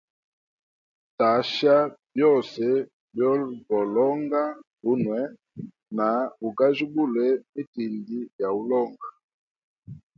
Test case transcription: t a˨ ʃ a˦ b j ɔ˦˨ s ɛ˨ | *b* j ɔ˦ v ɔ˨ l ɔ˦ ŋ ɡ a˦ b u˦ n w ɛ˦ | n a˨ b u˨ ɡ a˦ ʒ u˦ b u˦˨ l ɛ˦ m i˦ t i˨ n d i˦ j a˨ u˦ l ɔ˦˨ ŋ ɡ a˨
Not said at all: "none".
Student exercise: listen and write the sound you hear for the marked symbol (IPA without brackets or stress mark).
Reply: b